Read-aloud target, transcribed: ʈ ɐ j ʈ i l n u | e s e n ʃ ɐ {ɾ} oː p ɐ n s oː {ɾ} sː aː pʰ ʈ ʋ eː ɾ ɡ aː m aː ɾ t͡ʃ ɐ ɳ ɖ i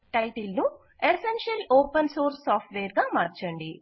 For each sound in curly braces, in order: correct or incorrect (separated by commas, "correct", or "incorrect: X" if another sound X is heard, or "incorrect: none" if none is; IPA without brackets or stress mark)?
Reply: incorrect: l, correct